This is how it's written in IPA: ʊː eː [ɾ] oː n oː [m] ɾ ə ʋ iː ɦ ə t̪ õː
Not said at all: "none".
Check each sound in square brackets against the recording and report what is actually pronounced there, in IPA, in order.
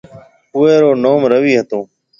ɾ, m

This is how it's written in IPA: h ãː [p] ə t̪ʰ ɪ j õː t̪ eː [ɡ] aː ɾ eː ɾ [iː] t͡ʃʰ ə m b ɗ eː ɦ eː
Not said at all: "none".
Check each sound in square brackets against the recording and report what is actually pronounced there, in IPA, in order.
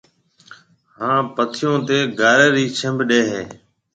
p, ɡ, iː

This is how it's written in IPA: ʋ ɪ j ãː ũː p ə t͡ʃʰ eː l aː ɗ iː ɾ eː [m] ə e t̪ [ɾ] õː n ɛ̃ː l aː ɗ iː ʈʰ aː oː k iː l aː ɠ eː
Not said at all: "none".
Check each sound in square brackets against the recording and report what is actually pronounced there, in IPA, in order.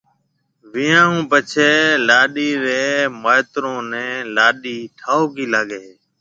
m, ɾ

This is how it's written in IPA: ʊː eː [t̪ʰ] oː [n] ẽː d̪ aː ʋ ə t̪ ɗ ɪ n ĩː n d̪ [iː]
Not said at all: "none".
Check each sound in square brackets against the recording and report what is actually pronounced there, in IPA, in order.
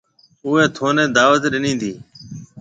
t̪ʰ, n, iː

